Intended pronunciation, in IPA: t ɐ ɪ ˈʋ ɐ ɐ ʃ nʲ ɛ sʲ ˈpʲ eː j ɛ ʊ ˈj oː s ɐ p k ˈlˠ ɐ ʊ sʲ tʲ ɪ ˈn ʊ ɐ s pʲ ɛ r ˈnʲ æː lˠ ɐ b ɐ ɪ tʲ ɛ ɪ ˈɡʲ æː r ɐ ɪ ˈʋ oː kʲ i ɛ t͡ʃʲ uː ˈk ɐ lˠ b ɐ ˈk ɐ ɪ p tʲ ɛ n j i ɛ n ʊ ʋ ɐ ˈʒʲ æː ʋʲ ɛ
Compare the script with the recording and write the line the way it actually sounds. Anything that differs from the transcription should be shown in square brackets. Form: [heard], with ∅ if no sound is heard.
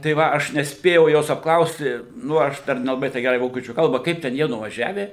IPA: t ɐ ɪ ˈʋ ɐ ɐ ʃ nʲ ɛ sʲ ˈpʲ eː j ɛ ʊ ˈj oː s ɐ p k ˈlˠ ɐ ʊ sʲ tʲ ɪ ˈn ʊ ɐ [ʃ] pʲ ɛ r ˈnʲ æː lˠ ɐ b ɐ ɪ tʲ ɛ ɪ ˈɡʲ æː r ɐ ɪ ˈʋ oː kʲ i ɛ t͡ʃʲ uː ˈk ɐ lˠ b ɐ ˈk ɐ ɪ p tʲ ɛ n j i ɛ n ʊ ʋ ɐ ˈʒʲ æː ʋʲ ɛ